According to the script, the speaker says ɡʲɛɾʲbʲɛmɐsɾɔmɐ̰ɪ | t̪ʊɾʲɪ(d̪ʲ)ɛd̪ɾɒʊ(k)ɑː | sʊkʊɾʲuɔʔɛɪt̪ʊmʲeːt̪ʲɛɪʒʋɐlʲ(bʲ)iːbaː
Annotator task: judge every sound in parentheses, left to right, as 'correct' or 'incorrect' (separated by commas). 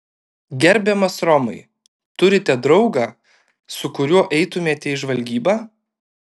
incorrect, incorrect, incorrect